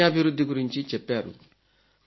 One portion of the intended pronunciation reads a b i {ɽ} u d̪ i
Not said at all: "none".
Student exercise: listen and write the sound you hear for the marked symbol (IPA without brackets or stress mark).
ɾ